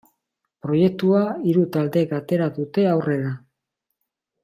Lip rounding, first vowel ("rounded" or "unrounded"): rounded